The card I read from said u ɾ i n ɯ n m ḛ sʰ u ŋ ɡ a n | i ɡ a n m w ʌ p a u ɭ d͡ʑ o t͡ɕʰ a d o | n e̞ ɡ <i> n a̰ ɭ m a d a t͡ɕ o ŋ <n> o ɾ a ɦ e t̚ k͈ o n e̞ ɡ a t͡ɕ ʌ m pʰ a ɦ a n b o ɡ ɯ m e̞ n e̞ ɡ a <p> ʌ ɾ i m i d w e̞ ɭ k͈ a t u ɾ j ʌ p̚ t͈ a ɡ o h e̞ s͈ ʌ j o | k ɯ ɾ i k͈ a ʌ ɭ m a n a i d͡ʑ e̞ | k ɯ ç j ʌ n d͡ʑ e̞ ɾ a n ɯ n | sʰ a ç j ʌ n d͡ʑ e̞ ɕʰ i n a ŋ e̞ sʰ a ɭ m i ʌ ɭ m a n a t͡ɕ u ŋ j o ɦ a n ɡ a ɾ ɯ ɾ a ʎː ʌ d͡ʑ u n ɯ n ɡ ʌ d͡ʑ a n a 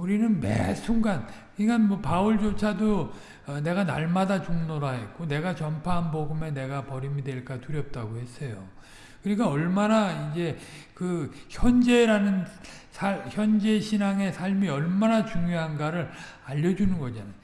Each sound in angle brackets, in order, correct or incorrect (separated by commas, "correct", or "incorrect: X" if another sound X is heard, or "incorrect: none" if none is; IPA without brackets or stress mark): incorrect: a, correct, correct